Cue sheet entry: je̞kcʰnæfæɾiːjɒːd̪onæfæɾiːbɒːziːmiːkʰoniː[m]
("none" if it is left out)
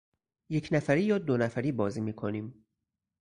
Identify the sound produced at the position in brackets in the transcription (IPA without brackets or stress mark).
m